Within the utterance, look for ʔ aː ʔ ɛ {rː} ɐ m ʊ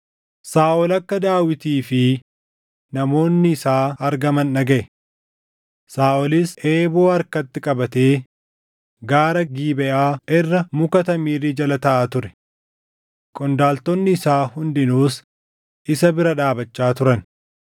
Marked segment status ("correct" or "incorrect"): correct